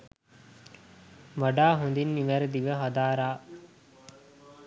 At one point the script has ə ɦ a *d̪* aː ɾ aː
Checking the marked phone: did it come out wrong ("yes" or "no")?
no